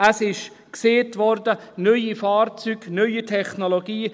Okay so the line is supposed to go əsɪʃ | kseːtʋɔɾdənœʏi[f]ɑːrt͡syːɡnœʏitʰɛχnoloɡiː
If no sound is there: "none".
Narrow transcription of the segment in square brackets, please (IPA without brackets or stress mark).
f